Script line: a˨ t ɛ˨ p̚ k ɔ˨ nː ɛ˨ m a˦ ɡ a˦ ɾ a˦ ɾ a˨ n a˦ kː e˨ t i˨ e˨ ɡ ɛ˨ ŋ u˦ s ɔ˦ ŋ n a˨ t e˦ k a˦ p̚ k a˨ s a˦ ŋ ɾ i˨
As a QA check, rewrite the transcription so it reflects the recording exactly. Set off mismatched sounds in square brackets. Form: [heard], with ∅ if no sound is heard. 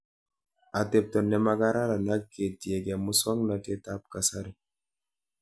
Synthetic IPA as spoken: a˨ t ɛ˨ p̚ [t] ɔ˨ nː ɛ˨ m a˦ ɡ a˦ ɾ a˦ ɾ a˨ n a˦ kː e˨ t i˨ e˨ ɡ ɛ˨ [m] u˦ s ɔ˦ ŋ n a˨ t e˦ [t] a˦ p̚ k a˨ s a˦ [∅] ɾ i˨